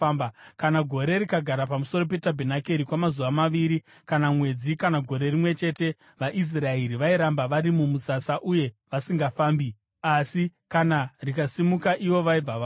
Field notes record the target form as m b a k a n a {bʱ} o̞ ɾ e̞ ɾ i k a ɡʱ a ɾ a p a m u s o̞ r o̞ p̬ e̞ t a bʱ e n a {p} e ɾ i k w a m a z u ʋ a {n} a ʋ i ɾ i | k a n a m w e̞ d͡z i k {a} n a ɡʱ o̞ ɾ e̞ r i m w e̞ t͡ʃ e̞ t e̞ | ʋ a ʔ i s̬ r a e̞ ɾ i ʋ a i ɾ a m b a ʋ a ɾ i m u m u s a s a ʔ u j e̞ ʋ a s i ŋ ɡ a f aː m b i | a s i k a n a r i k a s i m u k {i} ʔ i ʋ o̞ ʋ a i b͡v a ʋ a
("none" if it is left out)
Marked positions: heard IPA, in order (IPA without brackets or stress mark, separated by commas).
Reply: ɡʱ, k, m, a, a